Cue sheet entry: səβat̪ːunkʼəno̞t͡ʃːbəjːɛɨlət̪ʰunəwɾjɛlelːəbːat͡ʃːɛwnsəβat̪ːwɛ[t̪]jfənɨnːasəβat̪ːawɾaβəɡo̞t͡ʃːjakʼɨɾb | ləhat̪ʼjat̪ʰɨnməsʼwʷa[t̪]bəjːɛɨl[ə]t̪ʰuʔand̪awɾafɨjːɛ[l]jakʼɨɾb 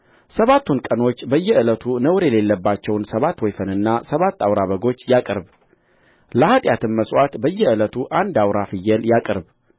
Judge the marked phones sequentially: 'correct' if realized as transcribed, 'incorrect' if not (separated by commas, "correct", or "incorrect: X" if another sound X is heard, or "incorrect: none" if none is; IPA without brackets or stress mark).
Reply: incorrect: none, correct, correct, correct